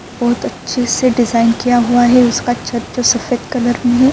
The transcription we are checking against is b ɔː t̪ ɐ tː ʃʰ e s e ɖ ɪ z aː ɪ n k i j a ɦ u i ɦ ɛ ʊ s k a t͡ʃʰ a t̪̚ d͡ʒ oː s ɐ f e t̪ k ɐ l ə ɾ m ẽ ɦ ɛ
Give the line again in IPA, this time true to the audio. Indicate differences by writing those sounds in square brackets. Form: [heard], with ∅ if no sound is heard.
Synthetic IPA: b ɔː t̪ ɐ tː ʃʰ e s e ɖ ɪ z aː ɪ n k i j a ɦ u [a] ɦ ɛ ʊ s k a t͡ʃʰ [ɐ] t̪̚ d͡ʒ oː s ɐ f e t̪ k ɐ l ə ɾ m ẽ ɦ ɛ